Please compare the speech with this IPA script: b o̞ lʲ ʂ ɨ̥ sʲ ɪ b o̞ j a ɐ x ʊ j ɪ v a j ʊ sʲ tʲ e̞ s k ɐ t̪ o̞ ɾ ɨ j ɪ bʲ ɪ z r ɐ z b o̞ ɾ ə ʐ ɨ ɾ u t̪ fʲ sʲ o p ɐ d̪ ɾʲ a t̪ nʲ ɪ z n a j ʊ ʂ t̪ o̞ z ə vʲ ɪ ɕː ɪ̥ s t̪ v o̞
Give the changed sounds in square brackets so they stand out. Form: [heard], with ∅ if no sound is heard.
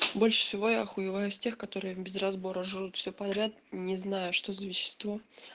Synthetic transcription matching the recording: b o̞ lʲ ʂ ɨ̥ sʲ ɪ [v] o̞ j a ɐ x ʊ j ɪ v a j ʊ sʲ tʲ e̞ [x] k ɐ t̪ o̞ ɾ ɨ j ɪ bʲ ɪ z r ɐ z b o̞ ɾ ə ʐ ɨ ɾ u t̪ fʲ sʲ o p ɐ d̪ ɾʲ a t̪ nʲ ɪ z n a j ʊ ʂ t̪ o̞ z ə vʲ ɪ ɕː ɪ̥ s t̪ v o̞